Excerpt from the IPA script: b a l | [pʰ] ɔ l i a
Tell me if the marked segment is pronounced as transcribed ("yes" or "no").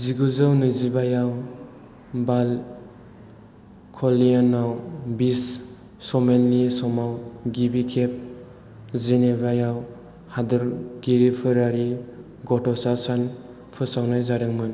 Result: no